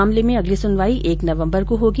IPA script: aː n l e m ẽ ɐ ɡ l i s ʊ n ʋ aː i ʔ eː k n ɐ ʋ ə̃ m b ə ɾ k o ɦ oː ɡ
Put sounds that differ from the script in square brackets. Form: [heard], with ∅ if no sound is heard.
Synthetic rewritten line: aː [m] l e m ẽ ɐ ɡ l i s ʊ n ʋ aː i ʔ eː k n ɐ ʋ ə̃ m b ə ɾ k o ɦ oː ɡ